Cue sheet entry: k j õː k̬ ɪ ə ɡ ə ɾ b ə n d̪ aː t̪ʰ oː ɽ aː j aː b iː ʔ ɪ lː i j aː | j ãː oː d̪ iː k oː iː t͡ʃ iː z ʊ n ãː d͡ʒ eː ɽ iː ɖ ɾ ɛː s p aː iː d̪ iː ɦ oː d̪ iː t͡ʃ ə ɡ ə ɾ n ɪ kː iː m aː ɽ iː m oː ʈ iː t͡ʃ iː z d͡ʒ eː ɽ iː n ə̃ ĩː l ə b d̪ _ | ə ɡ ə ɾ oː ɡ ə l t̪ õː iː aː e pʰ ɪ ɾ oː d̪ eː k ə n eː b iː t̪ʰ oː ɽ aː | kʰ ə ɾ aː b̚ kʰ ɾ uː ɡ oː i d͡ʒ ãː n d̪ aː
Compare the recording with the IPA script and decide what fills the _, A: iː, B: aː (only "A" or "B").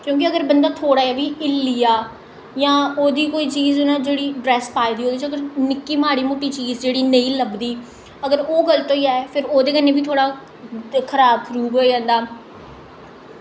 A